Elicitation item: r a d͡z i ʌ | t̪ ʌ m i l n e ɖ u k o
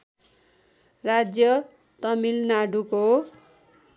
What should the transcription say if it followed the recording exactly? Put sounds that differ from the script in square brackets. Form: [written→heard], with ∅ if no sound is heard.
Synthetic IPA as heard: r a d͡z [i→j] ʌ | t̪ ʌ m i l n [e→a] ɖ u k o